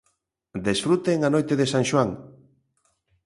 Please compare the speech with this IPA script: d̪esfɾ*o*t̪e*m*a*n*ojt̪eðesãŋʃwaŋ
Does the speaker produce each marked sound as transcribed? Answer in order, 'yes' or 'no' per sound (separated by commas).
no, no, yes